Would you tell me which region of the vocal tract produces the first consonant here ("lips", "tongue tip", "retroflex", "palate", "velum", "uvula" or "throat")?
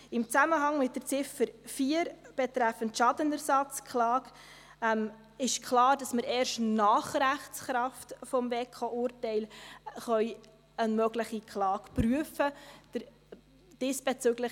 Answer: lips